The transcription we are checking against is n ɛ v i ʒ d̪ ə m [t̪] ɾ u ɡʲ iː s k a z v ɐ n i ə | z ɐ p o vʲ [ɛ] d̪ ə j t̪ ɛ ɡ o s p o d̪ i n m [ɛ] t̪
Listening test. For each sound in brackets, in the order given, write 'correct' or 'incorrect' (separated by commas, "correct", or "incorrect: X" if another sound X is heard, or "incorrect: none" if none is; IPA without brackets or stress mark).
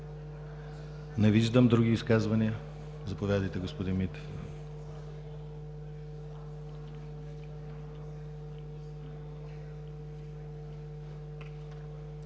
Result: incorrect: d̪, incorrect: a, incorrect: i